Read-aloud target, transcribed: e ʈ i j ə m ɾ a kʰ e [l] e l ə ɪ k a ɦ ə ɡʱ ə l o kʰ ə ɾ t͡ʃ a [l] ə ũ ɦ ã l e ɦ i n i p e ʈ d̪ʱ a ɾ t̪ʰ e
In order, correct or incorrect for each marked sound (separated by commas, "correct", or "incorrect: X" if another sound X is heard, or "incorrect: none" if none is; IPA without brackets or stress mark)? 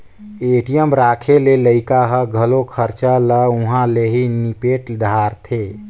correct, correct